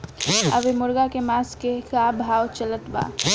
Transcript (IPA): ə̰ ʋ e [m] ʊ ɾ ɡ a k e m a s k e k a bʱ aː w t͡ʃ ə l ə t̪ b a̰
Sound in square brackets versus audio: correct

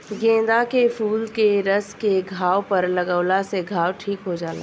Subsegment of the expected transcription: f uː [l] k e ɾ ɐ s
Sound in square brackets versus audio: correct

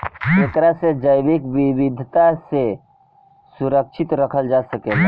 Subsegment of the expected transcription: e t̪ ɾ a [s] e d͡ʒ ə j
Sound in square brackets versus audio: correct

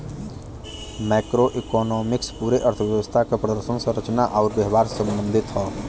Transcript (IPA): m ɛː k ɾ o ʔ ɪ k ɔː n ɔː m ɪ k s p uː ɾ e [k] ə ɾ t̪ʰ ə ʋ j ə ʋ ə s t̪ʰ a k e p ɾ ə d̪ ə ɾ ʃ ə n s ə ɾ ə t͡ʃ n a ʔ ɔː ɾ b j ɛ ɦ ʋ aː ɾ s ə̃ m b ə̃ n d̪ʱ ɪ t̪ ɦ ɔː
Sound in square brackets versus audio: incorrect: ʔ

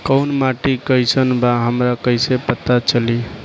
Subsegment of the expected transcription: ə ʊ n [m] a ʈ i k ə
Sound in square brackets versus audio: correct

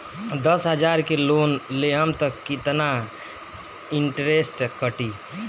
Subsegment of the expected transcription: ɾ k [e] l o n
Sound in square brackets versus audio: correct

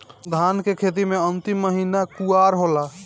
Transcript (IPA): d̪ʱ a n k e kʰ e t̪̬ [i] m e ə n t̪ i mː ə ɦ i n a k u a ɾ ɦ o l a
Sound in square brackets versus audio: correct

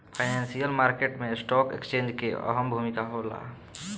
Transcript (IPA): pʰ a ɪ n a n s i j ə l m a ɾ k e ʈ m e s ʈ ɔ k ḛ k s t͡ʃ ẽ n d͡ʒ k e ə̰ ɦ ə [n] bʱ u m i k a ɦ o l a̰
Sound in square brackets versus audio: incorrect: m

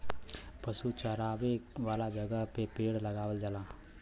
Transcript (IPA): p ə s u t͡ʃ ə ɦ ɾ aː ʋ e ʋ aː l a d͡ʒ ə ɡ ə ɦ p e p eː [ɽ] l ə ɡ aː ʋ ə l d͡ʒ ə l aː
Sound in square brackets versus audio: correct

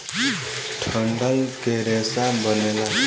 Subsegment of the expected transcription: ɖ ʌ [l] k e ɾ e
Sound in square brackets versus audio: correct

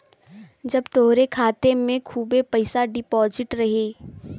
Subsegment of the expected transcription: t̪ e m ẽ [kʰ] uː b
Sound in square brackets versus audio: correct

